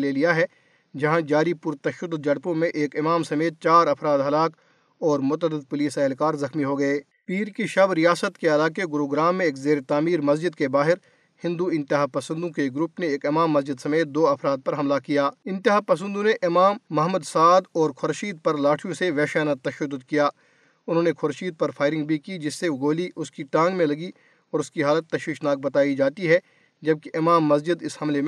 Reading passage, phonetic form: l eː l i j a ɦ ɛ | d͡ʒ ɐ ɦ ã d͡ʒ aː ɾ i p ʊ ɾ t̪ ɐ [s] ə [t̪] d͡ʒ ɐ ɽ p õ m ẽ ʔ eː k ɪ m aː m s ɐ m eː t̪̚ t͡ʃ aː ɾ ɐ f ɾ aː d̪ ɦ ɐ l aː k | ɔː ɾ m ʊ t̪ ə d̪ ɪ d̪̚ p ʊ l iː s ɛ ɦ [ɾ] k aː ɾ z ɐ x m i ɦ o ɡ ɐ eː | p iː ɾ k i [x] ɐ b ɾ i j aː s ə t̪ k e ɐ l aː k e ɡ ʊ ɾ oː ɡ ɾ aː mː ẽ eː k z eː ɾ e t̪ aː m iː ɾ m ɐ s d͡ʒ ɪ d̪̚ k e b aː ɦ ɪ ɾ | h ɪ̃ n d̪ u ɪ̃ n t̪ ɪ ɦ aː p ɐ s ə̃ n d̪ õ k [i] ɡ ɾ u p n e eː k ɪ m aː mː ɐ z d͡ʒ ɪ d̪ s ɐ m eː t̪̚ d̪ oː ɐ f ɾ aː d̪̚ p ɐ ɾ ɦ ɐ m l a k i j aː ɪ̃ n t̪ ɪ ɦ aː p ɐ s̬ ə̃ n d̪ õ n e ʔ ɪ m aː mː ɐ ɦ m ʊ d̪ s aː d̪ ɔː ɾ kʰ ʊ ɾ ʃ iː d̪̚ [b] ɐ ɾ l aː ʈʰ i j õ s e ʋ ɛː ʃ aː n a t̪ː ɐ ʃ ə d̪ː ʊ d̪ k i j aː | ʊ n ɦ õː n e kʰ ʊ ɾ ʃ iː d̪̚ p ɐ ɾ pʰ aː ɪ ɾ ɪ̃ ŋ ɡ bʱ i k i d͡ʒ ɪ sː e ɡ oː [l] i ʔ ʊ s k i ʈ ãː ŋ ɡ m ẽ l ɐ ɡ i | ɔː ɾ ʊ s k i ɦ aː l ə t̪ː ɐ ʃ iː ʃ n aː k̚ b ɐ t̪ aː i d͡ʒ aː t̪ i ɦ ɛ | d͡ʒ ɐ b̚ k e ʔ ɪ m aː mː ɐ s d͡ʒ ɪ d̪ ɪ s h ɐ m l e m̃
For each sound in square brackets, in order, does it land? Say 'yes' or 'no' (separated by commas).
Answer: no, no, no, no, no, no, yes